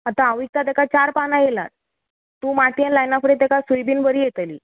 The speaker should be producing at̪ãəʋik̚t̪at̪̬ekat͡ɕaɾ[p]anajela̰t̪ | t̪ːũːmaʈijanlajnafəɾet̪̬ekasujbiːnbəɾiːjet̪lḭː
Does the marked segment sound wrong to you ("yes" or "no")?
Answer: no